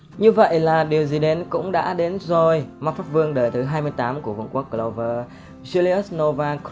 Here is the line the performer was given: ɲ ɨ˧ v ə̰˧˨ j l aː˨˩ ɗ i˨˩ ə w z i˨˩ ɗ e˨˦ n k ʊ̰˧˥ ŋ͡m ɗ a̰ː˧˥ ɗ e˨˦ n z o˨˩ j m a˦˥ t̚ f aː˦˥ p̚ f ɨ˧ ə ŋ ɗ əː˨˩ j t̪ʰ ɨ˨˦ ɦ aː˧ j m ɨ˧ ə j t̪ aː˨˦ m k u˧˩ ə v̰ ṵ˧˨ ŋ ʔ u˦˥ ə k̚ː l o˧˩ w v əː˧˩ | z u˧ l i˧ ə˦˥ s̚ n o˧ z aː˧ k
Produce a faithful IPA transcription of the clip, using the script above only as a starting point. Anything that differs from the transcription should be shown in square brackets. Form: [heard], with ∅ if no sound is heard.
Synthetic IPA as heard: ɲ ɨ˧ v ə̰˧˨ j l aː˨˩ ɗ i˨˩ ə w z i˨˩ ɗ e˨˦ n k ʊ̰˧˥ ŋ͡m ɗ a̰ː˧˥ ɗ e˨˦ n z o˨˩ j m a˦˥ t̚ f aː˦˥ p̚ [v] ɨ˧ ə ŋ ɗ əː˨˩ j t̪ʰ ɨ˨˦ ɦ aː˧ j m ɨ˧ ə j t̪ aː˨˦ m k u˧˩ ə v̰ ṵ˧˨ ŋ [k] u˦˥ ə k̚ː l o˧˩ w v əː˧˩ | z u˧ l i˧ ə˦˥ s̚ n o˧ [v] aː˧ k